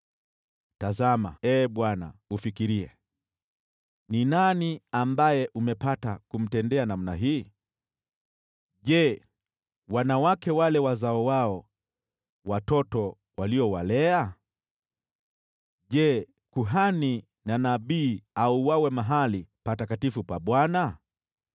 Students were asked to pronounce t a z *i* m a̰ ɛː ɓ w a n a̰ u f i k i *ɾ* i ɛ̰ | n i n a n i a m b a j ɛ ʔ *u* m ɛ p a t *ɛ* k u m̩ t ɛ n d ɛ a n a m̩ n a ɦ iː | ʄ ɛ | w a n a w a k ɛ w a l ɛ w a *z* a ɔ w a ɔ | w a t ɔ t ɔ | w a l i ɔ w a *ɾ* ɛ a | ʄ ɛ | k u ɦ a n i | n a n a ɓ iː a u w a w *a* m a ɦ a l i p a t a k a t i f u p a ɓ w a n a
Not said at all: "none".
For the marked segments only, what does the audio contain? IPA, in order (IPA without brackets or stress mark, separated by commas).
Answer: a, ɾ, u, a, z, l, ɛ